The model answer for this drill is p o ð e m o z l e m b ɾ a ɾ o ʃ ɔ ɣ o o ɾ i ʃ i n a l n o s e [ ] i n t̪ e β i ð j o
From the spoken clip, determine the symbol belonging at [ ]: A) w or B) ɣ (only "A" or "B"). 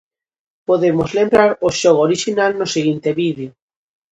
B